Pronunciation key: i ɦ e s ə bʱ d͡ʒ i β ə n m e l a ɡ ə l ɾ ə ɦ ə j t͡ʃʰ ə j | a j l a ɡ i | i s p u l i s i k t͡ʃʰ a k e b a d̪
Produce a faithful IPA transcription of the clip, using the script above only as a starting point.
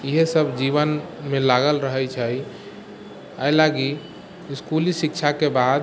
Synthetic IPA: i ɦ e s ə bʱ d͡ʒ i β ə n m e l a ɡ ə l ɾ ə ɦ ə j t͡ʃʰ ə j | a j l a ɡ i | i s k u l i s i k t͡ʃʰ a k e b a d̪